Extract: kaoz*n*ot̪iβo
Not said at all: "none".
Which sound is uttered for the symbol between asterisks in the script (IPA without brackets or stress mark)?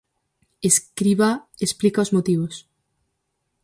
m